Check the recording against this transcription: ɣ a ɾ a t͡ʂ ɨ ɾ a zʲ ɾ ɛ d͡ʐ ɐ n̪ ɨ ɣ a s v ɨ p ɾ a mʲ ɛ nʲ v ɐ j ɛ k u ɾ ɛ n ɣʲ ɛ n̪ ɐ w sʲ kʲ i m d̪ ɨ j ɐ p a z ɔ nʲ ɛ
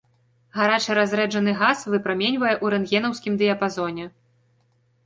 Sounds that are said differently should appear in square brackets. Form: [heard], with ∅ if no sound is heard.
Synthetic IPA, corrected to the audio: ɣ a ɾ a t͡ʂ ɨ ɾ a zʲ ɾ ɛ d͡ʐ ɐ n̪ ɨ ɣ a s v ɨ p ɾ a mʲ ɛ nʲ v ɐ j ɛ [ʔ] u ɾ ɛ n ɣʲ ɛ n̪ ɐ w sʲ kʲ i m d̪ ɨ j ɐ p a z ɔ nʲ ɛ